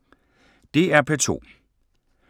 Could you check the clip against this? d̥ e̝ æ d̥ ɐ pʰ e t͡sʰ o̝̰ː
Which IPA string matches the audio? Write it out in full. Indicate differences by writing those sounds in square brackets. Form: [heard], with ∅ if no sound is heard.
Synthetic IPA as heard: d̥ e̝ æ [∅] ɐ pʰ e t͡sʰ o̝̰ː